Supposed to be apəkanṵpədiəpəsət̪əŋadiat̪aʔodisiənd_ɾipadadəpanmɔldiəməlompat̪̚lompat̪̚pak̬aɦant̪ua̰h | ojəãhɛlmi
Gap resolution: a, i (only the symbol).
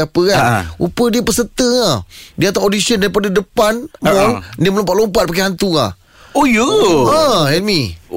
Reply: a